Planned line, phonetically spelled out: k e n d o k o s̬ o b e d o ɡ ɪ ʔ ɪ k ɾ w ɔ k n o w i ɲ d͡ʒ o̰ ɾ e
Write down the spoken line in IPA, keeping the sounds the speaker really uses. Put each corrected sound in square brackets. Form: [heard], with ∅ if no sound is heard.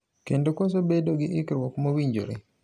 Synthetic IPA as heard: k e n d o k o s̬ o b e d o ɡ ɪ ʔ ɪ k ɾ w ɔ k [m] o w i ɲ d͡ʒ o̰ ɾ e